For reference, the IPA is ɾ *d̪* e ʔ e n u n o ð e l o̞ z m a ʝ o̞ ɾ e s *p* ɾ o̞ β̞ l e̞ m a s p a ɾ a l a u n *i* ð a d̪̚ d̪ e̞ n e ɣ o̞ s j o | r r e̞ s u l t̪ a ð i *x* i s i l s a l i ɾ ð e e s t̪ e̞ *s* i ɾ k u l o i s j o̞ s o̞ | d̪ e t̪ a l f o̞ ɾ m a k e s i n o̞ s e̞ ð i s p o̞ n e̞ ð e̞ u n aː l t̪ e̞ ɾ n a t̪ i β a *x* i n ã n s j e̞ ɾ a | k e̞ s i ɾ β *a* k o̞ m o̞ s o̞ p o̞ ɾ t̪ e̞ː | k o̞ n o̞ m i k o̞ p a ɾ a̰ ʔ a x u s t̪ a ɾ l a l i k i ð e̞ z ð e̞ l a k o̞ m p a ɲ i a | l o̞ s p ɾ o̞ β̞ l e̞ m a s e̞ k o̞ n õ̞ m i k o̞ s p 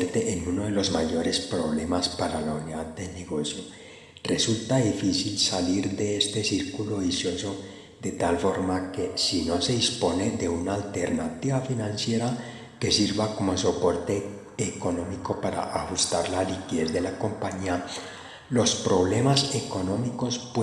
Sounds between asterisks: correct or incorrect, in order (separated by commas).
incorrect, correct, correct, incorrect, correct, incorrect, correct